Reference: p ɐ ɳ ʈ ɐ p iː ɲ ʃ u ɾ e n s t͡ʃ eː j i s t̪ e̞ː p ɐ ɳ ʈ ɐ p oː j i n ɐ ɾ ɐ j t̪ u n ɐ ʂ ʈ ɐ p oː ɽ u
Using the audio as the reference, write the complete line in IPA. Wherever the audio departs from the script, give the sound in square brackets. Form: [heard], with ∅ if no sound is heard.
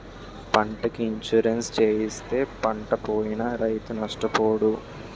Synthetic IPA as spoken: p ɐ ɳ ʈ ɐ [k] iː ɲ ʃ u ɾ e n s t͡ʃ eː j i s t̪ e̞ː p ɐ ɳ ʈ ɐ p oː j i n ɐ ɾ ɐ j t̪ u n ɐ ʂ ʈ ɐ p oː ɽ u